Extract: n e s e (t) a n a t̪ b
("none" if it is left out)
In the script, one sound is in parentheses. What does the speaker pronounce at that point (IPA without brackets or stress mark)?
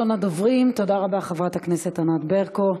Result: t